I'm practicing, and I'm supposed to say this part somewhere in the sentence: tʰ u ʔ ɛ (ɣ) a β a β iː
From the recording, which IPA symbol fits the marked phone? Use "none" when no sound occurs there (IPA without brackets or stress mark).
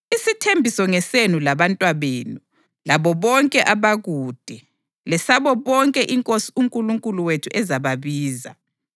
z